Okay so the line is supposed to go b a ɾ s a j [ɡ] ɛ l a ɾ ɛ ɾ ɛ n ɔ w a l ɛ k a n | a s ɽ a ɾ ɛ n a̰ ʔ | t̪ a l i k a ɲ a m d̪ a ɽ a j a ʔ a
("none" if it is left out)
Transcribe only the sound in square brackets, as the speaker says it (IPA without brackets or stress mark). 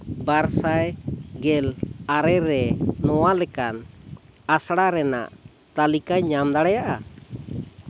ɡ